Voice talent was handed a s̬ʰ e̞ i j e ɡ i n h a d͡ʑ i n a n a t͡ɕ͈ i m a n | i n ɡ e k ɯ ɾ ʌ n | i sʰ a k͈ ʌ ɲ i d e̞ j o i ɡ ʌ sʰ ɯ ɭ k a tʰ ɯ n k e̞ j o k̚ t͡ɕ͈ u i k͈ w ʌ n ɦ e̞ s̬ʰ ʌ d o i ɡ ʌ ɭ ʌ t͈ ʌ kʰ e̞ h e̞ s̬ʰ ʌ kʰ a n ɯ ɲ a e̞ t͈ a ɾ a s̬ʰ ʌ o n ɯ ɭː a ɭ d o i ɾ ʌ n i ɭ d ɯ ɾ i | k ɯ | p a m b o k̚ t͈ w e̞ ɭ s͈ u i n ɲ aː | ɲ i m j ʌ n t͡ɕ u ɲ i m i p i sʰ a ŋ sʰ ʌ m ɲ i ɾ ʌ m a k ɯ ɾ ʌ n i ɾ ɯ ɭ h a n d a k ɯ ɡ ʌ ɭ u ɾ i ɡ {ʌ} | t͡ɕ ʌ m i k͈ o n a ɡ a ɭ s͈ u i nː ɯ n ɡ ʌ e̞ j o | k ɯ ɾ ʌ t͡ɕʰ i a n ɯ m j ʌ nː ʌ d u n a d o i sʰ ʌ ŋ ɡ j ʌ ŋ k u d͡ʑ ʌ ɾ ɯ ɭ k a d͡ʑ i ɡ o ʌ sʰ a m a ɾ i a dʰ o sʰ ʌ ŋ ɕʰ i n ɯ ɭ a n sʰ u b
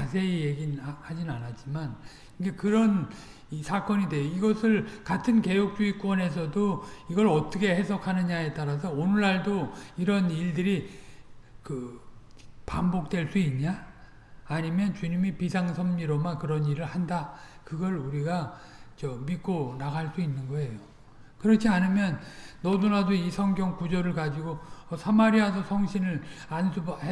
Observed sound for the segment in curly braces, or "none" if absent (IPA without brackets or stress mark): a